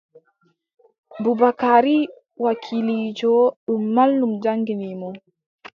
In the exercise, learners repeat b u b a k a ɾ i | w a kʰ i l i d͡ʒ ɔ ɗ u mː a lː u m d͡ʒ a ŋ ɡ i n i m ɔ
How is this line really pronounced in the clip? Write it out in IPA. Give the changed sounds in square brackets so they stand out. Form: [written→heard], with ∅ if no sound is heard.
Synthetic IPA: b u b a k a ɾ i | w a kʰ i l i d͡ʒ ɔ ɗ u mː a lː u m d͡ʒ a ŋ ɡ i n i m ɔ